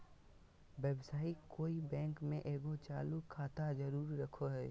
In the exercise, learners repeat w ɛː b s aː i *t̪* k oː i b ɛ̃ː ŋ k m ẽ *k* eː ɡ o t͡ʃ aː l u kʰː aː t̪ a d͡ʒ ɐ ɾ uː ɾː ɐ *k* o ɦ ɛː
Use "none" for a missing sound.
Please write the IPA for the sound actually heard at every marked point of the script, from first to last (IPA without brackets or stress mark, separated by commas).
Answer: none, ʔ, kʰ